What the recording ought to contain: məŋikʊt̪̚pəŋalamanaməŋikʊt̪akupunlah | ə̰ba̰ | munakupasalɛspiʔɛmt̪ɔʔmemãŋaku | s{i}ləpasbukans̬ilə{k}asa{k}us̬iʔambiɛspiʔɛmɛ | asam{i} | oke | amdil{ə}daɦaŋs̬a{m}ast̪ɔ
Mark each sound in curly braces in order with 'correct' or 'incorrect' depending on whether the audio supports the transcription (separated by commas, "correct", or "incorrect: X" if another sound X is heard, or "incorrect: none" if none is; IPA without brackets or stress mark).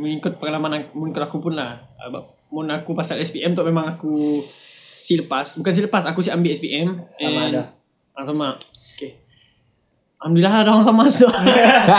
correct, incorrect: p, correct, incorrect: a, incorrect: a, correct